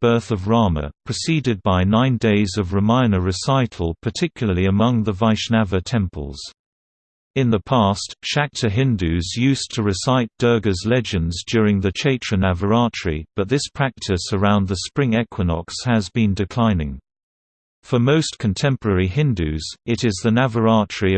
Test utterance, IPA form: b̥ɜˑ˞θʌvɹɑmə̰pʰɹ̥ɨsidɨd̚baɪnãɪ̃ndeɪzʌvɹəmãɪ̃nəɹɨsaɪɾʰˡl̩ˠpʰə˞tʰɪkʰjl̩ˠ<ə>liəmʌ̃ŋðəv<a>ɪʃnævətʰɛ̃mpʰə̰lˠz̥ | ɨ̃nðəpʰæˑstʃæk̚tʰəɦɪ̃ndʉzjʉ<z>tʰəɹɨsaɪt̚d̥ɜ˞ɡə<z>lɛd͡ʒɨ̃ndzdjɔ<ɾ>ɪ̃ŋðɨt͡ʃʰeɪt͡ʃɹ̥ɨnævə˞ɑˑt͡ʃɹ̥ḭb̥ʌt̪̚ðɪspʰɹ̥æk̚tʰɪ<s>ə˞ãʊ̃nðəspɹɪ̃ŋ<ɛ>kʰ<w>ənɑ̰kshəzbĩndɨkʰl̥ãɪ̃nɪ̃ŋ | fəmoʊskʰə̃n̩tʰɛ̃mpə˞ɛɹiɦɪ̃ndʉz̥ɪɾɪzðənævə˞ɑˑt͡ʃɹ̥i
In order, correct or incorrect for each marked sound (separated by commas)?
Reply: correct, correct, incorrect, correct, incorrect, correct, correct, correct